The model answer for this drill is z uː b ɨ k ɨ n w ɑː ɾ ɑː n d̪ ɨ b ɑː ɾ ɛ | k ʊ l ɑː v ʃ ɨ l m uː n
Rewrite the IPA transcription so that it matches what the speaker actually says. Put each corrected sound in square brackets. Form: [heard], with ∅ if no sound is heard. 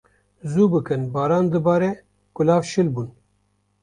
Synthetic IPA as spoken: z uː b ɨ k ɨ n [b] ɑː ɾ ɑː n d̪ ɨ b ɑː ɾ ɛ | k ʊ l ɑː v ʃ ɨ l [b] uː n